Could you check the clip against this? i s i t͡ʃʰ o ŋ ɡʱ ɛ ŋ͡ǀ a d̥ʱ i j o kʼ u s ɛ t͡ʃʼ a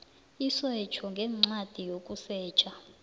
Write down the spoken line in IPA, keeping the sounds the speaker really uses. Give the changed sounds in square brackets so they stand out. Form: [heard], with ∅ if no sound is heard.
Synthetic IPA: i s [ɛ] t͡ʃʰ [ɔ] ŋ ɡʱ ɛ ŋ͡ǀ a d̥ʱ i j o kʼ u s [ɛː] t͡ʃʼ a